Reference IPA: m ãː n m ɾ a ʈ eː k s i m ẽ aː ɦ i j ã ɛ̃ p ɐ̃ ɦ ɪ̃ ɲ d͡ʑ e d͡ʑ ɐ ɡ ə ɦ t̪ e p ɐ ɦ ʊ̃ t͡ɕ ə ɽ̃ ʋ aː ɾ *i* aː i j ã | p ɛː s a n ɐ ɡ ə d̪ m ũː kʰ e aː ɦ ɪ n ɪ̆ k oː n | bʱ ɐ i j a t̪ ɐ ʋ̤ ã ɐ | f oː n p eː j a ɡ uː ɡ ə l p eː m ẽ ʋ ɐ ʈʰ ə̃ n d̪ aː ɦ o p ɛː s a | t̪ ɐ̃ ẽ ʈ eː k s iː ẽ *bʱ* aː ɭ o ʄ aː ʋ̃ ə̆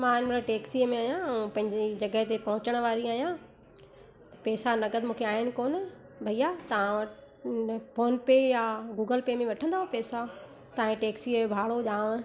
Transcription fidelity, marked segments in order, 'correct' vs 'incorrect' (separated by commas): correct, correct